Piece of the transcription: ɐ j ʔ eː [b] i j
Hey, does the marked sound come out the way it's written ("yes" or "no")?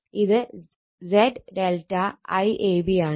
yes